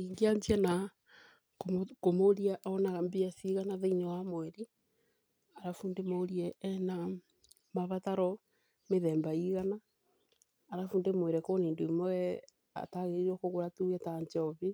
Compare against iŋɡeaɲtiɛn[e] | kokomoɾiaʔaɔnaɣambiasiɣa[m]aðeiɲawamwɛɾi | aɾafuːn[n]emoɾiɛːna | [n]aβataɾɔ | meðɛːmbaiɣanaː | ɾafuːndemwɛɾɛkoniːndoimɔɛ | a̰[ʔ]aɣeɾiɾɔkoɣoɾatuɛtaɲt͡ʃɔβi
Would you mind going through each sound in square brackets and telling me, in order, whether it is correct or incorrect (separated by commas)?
incorrect, incorrect, incorrect, incorrect, incorrect